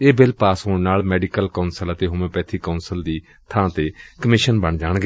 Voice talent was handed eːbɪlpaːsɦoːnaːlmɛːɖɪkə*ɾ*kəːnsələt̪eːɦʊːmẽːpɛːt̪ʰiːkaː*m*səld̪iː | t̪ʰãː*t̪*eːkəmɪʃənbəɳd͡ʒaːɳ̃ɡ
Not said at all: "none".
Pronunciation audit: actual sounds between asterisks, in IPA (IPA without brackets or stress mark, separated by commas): l, n, t̪